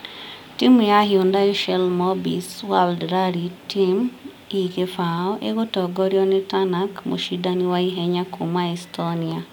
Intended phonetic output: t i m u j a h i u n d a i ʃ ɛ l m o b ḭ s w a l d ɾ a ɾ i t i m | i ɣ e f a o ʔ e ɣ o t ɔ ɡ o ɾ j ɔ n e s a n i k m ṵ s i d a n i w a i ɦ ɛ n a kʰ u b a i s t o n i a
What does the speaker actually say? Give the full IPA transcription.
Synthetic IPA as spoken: t i m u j a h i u n d a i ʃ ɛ l m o b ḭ s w a l d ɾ a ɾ i t i m | i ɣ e f a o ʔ e ɣ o t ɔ ɡ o ɾ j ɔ n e t a n a k m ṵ ʃ i d a n i w a i ɦ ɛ ɲ a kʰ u m a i s t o n i a